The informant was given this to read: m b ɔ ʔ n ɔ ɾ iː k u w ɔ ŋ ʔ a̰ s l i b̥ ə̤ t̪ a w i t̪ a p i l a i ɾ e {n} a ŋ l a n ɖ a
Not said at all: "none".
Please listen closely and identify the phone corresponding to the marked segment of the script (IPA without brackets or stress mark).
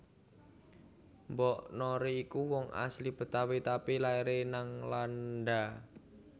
n